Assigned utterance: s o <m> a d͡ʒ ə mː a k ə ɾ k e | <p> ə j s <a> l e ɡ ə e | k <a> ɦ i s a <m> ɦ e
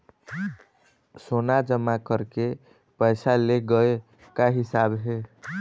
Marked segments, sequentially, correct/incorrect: incorrect, correct, correct, correct, incorrect

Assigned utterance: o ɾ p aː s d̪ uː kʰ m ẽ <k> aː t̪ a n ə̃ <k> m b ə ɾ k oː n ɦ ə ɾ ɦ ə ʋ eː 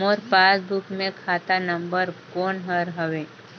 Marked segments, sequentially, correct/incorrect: incorrect, incorrect

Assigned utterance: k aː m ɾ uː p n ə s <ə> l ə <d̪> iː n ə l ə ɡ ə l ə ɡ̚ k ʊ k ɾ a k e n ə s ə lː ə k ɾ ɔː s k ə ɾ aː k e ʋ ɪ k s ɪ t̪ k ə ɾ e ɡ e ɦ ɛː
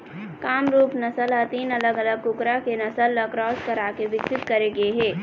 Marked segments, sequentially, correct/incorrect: correct, incorrect

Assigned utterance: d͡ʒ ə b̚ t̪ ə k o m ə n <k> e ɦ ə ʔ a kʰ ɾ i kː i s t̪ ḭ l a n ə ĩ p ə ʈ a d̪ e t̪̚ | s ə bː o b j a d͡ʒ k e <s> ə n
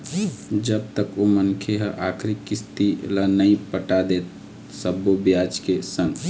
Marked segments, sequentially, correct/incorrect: incorrect, correct

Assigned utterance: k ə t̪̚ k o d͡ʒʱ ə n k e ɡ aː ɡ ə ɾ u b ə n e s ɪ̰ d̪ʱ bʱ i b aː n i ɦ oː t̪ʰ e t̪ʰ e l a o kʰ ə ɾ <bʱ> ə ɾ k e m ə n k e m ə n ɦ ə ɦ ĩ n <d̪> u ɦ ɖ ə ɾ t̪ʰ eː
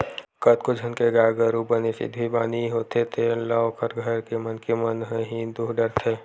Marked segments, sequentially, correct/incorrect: incorrect, correct

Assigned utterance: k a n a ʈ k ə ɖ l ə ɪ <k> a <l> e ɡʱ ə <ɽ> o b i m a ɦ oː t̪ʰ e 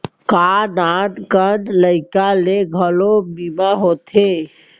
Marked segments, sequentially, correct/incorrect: correct, correct, incorrect

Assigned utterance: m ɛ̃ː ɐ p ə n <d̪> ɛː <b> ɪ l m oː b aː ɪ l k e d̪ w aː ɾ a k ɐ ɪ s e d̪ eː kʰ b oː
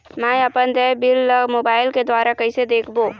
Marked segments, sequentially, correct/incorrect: correct, correct

